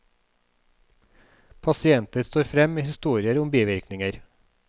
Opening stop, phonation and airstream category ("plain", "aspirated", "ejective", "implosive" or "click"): aspirated